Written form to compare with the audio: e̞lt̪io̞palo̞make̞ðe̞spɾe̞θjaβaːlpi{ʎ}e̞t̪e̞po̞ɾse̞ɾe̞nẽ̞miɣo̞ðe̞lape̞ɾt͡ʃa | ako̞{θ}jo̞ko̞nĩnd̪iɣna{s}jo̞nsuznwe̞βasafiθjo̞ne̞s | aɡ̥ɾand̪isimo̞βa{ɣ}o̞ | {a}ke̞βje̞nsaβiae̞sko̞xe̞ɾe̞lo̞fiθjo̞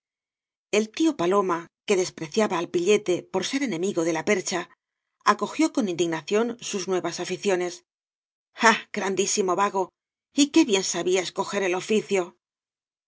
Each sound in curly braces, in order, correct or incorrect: correct, incorrect: x, incorrect: θ, correct, incorrect: i

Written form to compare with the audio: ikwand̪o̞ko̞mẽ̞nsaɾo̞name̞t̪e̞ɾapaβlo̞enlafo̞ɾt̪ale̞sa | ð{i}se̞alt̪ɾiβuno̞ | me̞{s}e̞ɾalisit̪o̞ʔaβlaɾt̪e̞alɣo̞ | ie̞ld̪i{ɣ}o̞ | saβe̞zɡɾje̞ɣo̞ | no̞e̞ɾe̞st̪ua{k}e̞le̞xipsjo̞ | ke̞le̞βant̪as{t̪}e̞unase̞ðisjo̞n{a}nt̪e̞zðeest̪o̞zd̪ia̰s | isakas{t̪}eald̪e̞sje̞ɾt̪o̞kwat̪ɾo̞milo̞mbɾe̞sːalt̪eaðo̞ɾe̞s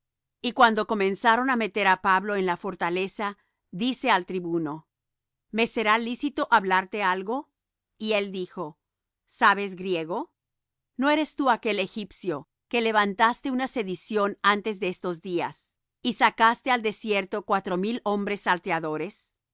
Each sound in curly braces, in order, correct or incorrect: correct, correct, incorrect: x, correct, correct, correct, correct

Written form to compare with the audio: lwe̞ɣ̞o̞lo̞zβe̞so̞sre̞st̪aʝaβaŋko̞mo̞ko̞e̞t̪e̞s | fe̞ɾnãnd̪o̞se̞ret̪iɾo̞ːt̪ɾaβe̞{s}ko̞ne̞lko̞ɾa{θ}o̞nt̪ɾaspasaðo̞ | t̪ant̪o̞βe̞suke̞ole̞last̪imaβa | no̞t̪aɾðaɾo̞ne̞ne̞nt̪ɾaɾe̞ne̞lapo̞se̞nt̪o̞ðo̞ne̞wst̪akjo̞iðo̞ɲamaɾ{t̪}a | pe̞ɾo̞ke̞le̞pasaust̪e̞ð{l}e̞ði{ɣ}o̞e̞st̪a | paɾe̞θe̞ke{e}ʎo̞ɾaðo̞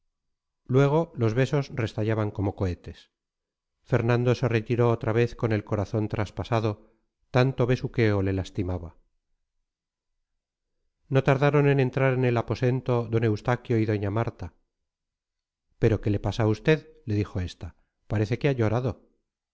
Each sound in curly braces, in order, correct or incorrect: incorrect: θ, correct, correct, correct, incorrect: x, incorrect: a

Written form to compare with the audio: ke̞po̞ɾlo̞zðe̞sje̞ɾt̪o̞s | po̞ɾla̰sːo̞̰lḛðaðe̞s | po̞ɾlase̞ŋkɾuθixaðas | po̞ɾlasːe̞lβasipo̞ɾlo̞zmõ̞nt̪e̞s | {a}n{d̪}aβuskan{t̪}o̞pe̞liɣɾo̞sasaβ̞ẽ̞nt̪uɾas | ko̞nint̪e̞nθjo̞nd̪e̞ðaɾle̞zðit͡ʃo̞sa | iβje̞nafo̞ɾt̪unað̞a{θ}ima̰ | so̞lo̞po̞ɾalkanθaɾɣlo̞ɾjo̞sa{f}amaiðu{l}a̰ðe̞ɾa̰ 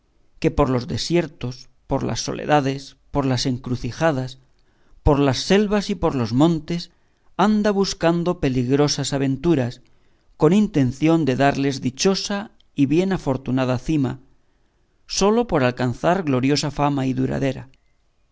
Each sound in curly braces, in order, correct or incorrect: correct, correct, incorrect: d̪, correct, correct, incorrect: ɾ

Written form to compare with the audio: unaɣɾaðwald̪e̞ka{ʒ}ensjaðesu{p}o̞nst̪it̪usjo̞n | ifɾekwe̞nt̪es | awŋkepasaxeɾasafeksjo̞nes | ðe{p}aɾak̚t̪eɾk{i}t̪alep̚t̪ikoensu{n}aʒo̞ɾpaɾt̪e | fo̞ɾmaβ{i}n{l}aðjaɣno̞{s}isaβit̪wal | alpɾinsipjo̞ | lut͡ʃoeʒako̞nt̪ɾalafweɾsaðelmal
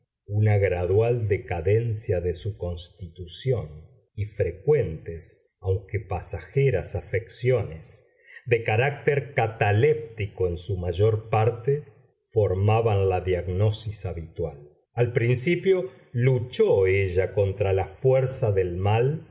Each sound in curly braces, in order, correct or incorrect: incorrect: ð, incorrect: k, incorrect: k, incorrect: a, incorrect: m, incorrect: a, correct, correct

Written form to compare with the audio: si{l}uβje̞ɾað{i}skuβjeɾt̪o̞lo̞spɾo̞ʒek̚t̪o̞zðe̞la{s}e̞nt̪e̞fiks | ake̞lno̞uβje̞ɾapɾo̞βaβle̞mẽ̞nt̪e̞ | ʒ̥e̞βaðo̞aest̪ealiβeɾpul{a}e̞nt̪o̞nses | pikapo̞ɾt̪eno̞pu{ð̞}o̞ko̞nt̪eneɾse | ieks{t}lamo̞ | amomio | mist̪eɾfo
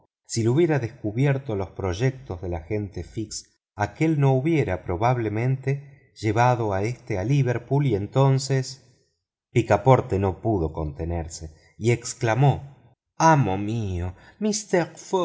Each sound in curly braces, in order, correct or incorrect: correct, incorrect: e, incorrect: x, incorrect: i, correct, incorrect: k

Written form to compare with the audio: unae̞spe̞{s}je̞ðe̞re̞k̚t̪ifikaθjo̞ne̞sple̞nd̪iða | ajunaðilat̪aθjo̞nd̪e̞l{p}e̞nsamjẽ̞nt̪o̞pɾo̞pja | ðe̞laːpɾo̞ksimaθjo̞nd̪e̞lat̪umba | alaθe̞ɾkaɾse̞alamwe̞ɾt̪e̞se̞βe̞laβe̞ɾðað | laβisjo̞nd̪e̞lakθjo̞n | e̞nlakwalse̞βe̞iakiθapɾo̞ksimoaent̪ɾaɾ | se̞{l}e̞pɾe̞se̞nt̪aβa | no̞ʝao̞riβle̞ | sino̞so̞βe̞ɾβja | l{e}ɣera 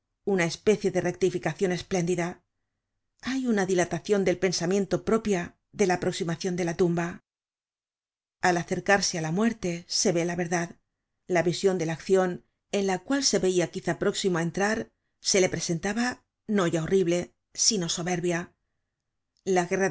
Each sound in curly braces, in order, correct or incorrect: incorrect: θ, correct, correct, incorrect: a

